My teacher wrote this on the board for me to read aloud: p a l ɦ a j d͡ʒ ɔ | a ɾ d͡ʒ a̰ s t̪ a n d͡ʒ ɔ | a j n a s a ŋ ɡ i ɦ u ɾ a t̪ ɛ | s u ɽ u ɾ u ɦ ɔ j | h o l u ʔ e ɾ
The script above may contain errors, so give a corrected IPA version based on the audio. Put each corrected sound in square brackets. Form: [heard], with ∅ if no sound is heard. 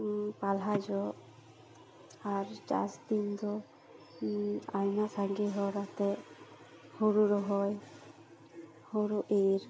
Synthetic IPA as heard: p a l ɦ a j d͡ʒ ɔ | a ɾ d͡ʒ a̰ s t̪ [i] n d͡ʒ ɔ | a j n a s a ŋ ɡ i ɦ [ɔ] ɾ a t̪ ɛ | [h] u [ɾ] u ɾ [ɔ] ɦ ɔ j | h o [ɾ] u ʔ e ɾ

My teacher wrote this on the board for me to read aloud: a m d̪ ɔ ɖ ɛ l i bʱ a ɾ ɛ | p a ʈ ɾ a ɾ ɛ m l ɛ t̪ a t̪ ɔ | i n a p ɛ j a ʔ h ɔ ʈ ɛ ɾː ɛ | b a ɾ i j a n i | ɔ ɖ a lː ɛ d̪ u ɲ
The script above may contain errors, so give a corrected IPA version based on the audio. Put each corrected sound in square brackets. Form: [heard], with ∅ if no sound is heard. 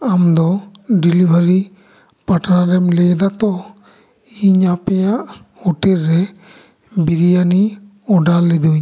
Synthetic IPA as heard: a m d̪ ɔ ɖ [i] l i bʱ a ɾ [i] | p a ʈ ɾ a ɾ ɛ m l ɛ [d̪] a t̪ ɔ | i [ɲ] a p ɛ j a ʔ h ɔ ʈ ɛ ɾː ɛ | b [i] ɾ i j a n i | ɔ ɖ a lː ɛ d̪ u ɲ

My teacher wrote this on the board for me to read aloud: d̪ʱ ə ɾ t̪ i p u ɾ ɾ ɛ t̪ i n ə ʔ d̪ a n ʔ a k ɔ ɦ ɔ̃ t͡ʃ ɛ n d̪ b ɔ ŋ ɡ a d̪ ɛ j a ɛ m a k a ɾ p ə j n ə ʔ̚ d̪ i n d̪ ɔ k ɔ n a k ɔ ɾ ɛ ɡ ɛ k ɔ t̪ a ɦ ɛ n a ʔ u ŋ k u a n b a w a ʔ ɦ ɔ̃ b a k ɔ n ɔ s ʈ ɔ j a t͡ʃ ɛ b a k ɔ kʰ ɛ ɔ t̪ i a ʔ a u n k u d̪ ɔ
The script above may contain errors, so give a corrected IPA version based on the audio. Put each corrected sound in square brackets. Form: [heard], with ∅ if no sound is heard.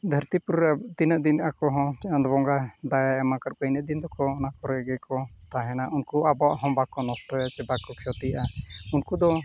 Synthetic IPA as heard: d̪ʱ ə ɾ t̪ i p u ɾ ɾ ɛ t̪ i n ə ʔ d̪ [i] n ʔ a k ɔ ɦ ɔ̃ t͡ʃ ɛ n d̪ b ɔ ŋ ɡ a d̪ [a] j a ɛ m a k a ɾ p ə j n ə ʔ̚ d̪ i n d̪ ɔ k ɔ n a k ɔ ɾ ɛ ɡ ɛ k ɔ t̪ a ɦ ɛ n a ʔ u [n] k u a [∅] b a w a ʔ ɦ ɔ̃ b a k ɔ n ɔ s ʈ ɔ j a t͡ʃ ɛ b a k ɔ kʰ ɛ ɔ t̪ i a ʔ a u n k u d̪ ɔ

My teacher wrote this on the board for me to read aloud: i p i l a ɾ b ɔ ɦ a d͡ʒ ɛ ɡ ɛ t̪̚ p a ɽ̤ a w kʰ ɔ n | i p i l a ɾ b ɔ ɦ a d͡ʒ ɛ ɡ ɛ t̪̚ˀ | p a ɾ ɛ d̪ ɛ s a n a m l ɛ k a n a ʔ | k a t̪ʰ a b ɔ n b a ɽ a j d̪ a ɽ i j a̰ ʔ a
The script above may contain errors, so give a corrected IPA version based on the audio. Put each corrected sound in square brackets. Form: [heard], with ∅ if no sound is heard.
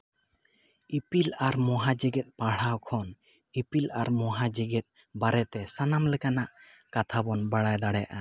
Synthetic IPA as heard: i p i l a ɾ [m] ɔ ɦ a d͡ʒ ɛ ɡ ɛ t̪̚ p a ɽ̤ a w kʰ ɔ n | i p i l a ɾ [m] ɔ ɦ a d͡ʒ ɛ ɡ ɛ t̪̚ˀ | [b] a ɾ ɛ [t̪] ɛ s a n a m l ɛ k a n a ʔ | k a t̪ʰ a b ɔ n b a ɽ a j d̪ a ɽ [ɛ] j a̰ ʔ a

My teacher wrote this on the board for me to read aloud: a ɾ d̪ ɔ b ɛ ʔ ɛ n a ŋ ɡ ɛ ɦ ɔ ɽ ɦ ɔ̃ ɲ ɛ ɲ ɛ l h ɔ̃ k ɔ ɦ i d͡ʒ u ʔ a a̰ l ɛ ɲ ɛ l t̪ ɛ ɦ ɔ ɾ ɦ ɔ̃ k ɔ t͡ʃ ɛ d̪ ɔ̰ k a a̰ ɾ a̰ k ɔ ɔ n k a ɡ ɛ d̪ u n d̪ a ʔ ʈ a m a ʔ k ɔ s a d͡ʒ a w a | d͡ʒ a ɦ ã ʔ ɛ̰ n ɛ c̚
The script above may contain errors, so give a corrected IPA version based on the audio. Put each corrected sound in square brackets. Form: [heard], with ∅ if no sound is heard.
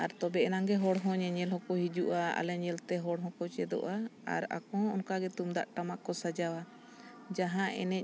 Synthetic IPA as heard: a ɾ [t̪] ɔ b ɛ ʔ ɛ n a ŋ ɡ ɛ ɦ ɔ ɽ ɦ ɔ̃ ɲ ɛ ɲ ɛ l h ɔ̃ k ɔ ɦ i d͡ʒ u ʔ a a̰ l ɛ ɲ ɛ l t̪ ɛ ɦ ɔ [ɽ] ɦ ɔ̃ k ɔ t͡ʃ ɛ d̪ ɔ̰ [ʔ] a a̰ ɾ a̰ k ɔ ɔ n k a ɡ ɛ [t̪] u [m] d̪ a ʔ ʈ a m a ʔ k ɔ s a d͡ʒ a w a | d͡ʒ a ɦ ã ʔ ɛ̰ n ɛ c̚

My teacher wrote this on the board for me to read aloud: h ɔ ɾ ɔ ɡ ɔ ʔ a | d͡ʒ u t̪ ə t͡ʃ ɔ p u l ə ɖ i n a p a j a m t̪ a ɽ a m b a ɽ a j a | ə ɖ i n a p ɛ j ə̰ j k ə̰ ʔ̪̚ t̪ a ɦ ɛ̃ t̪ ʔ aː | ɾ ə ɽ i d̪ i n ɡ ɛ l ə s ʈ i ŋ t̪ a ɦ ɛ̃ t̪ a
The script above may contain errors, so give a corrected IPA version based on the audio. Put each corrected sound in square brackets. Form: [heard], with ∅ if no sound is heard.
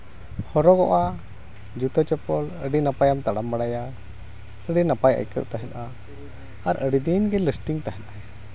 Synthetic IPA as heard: h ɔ ɾ ɔ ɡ ɔ ʔ a | d͡ʒ u t̪ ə t͡ʃ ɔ p [ɔ] l ə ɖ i n a p a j a m t̪ a ɽ a m b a ɽ a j a | ə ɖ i n a p [a] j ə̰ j k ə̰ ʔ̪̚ t̪ a ɦ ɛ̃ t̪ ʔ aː | ɾ ə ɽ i d̪ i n ɡ ɛ l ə s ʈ i ŋ t̪ a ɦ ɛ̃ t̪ a

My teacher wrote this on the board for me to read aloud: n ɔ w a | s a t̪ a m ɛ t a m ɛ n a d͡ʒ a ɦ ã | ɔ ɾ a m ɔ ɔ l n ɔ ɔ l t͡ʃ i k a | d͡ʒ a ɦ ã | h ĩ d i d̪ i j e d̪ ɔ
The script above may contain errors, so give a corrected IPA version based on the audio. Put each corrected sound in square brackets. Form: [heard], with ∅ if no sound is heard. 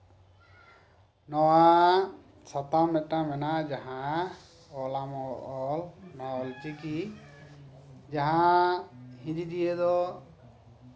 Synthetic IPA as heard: n ɔ w a | s a t̪ a m ɛ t a m ɛ n a d͡ʒ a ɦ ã | ɔ [l] a m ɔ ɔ l n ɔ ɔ l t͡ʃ i k [i] | d͡ʒ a ɦ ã | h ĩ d i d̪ i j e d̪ ɔ

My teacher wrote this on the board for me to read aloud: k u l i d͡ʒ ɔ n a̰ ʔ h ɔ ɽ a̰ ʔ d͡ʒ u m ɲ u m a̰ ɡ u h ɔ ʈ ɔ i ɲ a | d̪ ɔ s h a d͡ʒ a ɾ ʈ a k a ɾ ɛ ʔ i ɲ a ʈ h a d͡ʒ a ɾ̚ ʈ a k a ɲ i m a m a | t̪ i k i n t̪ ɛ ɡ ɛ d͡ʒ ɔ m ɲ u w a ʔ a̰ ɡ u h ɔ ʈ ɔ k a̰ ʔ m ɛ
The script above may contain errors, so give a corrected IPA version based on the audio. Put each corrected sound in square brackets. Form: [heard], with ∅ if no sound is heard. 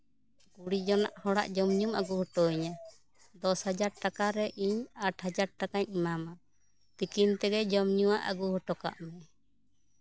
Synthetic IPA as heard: k u [ɽ] i d͡ʒ ɔ n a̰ ʔ h ɔ ɽ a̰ ʔ d͡ʒ [ɔ] m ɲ u m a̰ ɡ u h ɔ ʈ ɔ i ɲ a | d̪ ɔ s h a d͡ʒ a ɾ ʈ a k a ɾ ɛ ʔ i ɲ a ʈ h a d͡ʒ a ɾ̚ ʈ a k a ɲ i m a m a | t̪ i k i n t̪ ɛ ɡ ɛ d͡ʒ ɔ m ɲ u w a ʔ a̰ ɡ u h ɔ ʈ ɔ k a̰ ʔ m ɛ

